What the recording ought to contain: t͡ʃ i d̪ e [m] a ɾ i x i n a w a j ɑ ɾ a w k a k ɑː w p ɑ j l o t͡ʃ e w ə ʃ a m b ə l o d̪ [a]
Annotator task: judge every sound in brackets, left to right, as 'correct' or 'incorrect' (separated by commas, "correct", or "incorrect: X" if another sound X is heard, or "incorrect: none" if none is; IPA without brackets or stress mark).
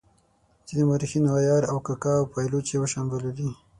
correct, incorrect: i